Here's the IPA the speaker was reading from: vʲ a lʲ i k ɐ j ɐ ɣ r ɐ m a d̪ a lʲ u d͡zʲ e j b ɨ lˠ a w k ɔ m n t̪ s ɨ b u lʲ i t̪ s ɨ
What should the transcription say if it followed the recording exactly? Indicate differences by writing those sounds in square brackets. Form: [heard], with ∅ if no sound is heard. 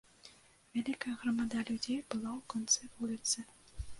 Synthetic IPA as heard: vʲ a lʲ i k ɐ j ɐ ɣ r ɐ m a d̪ a lʲ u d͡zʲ e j b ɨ lˠ a w k ɔ [∅] n t̪ s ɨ [v] u lʲ i t̪ s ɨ